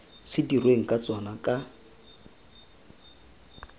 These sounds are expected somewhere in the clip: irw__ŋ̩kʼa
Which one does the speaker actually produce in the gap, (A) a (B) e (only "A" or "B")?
B